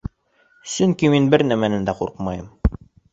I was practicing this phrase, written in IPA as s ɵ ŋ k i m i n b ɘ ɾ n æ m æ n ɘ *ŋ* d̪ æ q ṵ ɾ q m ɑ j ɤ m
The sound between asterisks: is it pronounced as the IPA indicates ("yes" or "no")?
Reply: no